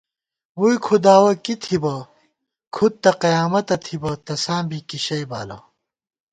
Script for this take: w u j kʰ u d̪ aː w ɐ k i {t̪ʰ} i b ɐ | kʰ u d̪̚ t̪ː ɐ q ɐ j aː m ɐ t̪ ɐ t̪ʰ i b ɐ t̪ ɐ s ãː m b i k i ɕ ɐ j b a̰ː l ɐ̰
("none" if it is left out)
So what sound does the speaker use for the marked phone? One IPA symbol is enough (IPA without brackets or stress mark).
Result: t̪ʰ